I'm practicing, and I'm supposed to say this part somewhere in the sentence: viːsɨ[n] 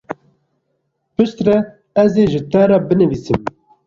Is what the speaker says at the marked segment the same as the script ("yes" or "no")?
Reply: no